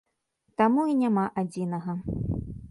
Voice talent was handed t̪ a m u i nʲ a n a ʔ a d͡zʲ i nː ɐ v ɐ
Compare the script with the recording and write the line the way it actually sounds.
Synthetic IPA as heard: t̪ a m u i nʲ a m a ʔ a d͡zʲ i n ɐ ɣ ɐ